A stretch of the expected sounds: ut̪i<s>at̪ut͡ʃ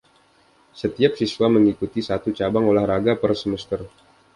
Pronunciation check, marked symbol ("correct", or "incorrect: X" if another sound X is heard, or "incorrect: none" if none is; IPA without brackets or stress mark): correct